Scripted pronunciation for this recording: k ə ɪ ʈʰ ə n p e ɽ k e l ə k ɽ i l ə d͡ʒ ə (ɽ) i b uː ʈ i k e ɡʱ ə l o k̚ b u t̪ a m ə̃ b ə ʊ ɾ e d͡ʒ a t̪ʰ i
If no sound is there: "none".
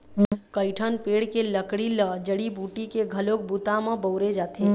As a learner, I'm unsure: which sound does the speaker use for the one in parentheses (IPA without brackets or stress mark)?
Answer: ɽ